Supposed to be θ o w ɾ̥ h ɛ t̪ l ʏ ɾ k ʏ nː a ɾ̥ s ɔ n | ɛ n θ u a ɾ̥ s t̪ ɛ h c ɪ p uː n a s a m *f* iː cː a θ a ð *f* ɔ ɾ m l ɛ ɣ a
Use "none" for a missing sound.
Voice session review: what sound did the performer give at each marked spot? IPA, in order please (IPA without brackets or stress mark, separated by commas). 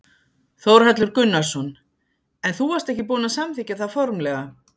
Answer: θ, f